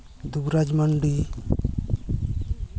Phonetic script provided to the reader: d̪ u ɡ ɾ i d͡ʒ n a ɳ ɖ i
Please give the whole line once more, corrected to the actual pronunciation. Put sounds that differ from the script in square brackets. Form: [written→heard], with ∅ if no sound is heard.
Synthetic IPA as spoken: d̪ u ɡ ɾ [i→a] d͡ʒ [n→m] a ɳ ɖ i